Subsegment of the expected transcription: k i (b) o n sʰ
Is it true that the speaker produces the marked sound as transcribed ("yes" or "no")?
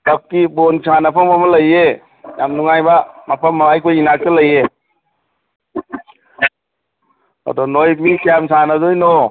yes